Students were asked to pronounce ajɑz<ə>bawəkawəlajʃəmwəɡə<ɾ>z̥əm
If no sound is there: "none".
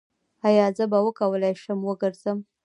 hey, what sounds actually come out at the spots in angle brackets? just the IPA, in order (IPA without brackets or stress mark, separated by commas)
ə, ɾ